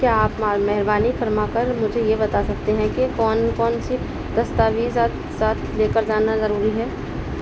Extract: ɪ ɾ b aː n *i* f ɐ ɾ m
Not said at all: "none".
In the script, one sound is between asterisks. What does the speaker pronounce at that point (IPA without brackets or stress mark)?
i